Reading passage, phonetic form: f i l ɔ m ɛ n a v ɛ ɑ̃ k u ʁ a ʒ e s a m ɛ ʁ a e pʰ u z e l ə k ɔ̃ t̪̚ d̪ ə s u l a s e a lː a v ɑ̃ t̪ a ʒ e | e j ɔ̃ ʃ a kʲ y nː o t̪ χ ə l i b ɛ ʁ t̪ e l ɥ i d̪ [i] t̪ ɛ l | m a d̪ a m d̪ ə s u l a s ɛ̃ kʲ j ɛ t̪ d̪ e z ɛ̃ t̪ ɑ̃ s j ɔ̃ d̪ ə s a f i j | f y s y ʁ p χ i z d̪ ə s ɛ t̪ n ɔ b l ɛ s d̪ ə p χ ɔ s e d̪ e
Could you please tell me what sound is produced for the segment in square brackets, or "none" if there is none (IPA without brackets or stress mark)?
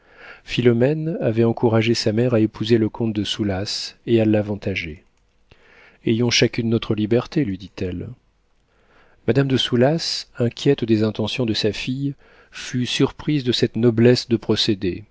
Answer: i